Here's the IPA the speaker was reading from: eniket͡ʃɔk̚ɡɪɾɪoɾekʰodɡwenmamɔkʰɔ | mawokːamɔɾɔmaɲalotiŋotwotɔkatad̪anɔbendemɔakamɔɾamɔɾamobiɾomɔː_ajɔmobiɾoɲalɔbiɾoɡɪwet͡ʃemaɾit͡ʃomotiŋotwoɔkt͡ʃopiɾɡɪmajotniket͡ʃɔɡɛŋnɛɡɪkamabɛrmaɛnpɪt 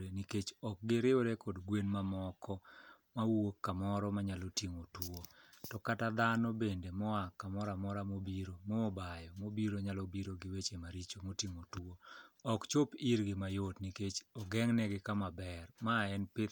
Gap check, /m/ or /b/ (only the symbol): b